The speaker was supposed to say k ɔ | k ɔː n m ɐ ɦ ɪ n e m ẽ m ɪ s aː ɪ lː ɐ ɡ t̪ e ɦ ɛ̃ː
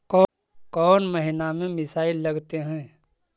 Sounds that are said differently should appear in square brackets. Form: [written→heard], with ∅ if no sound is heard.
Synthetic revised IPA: k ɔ | k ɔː n m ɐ ɦ ɪ n [e→a] m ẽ m ɪ s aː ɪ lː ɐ ɡ t̪ e ɦ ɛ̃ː